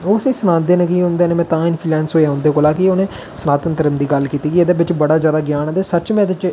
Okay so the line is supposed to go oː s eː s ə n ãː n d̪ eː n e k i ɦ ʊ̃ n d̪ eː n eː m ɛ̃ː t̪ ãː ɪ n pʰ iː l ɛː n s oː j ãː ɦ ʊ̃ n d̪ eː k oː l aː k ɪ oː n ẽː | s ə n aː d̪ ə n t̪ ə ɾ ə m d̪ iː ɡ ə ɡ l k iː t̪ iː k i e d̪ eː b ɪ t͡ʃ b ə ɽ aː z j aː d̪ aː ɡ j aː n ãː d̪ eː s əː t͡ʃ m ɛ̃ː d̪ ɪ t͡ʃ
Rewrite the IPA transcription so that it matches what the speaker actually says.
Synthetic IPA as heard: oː s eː s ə n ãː n d̪ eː n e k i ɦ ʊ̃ n d̪ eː n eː m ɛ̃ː t̪ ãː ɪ n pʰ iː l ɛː n s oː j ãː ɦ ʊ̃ n d̪ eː k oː l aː k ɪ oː n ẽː | s ə n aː t̪ ə n t̪ ə ɾ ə m d̪ iː ɡ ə l k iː t̪ iː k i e d̪ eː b ɪ t͡ʃ b ə ɽ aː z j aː d̪ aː ɡ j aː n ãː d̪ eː s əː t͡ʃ m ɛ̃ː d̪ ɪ t͡ʃ